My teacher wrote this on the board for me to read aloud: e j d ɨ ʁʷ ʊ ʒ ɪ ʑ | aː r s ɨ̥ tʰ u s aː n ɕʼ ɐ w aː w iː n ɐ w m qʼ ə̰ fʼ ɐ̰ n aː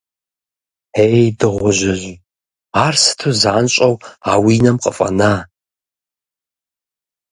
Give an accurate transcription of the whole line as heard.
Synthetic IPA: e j d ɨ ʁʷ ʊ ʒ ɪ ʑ | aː r s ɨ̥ tʰ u z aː n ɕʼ ɐ w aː w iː n ɐ m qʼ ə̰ fʼ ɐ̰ n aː